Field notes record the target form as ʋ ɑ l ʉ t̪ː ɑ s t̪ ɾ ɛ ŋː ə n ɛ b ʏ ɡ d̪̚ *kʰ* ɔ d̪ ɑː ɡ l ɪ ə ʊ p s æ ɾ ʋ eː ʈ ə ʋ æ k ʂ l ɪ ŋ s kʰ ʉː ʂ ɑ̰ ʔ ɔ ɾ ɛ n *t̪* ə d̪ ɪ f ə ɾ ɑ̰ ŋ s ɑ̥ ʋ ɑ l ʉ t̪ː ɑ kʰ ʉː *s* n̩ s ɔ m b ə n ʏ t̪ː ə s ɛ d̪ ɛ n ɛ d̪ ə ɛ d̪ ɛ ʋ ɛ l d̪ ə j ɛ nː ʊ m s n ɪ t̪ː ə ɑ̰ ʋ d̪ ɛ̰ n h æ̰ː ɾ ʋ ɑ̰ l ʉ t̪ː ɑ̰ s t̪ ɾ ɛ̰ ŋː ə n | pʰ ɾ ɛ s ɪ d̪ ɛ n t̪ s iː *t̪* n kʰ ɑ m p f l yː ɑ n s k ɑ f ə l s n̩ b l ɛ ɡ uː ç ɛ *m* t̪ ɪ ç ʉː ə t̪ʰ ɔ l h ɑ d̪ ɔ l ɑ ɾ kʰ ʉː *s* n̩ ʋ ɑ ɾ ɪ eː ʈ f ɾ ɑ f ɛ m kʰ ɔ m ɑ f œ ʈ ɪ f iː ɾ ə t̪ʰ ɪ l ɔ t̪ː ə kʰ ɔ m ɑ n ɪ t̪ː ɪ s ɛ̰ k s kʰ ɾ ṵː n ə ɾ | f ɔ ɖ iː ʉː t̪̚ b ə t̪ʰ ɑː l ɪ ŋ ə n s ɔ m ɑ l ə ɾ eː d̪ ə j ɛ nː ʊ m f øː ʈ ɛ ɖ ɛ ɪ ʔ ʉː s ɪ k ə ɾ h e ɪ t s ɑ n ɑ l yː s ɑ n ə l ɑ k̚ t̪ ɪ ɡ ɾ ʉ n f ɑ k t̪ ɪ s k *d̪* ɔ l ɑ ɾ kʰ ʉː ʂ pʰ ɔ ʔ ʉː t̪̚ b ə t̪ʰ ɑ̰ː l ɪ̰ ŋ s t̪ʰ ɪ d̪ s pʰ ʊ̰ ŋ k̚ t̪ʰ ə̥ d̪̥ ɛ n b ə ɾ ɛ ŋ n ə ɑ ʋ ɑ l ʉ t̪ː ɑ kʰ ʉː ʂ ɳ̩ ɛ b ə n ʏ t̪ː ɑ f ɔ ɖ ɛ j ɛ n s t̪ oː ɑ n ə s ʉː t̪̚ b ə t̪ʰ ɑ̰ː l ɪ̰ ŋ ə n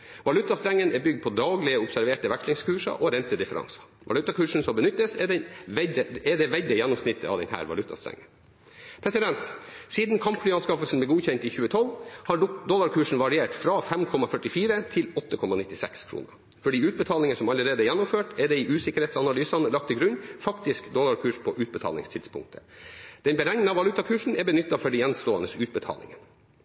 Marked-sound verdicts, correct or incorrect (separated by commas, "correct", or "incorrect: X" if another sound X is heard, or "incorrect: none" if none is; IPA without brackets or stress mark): incorrect: pʰ, correct, incorrect: ʂ, incorrect: d̪, incorrect: n, incorrect: ʂ, correct